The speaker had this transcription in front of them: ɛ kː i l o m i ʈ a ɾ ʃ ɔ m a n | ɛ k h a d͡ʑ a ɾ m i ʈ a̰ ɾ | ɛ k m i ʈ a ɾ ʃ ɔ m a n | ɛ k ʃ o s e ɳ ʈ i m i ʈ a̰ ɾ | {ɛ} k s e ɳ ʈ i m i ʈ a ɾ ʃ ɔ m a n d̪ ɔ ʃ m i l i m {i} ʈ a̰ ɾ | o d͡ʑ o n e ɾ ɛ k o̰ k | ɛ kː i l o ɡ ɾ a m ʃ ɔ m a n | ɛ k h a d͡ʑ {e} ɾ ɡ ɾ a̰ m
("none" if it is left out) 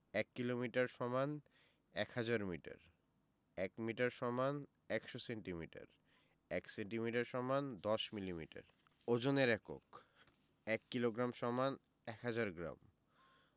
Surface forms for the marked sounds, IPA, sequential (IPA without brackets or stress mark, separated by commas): ɛ, i, a